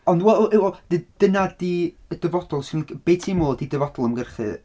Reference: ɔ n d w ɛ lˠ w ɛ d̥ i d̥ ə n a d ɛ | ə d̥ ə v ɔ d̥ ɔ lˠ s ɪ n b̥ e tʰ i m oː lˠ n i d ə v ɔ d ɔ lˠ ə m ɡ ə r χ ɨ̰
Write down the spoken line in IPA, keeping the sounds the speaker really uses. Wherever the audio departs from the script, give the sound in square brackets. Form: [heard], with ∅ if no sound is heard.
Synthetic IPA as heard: ɔ n d w ɛ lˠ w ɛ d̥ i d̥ ə n a d [i] | ə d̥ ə v ɔ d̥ ɔ lˠ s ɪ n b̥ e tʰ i m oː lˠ [d] i d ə v ɔ d ɔ lˠ ə m ɡ ə r χ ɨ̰